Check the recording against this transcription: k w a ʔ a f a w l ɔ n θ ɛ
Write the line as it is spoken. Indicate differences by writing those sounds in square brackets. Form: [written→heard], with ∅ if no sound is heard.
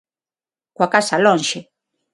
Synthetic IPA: k w a [ʔ→k] a [f→s] a [w→∅] l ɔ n [θ→ʃ] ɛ